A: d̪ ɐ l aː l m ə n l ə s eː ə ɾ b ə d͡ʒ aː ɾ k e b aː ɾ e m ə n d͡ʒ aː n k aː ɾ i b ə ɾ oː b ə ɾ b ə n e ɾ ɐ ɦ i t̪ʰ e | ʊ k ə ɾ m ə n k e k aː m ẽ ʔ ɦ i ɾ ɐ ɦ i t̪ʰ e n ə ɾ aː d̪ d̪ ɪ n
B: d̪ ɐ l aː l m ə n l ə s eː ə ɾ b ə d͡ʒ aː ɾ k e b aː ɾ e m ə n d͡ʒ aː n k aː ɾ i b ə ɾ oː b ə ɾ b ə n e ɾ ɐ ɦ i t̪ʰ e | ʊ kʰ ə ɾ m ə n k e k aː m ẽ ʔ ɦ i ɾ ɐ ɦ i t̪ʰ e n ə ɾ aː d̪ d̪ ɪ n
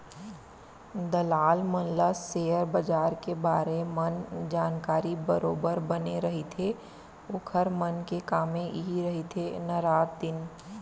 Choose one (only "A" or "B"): B